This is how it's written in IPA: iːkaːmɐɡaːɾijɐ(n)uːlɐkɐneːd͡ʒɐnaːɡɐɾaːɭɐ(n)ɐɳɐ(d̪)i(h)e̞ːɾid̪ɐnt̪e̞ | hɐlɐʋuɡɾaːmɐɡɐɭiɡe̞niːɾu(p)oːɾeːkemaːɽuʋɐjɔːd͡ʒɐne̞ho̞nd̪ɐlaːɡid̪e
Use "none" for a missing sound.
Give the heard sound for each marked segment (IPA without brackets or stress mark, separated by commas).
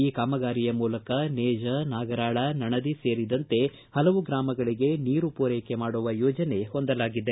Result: m, n, d̪, s, p